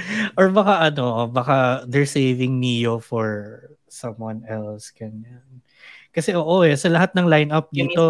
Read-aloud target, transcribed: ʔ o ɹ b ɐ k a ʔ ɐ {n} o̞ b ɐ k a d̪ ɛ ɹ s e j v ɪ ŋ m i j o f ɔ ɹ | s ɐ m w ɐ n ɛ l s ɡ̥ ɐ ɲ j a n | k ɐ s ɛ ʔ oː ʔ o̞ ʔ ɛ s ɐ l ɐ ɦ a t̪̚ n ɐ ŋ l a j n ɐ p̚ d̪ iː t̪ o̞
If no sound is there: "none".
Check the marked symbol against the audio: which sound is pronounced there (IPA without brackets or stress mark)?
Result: n